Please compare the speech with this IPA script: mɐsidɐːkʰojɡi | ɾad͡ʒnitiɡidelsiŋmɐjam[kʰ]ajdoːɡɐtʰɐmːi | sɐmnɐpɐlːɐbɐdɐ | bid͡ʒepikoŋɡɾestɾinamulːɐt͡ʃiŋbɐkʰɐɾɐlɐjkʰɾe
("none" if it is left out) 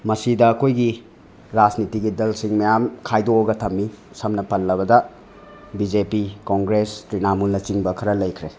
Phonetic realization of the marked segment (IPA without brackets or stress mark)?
kʰ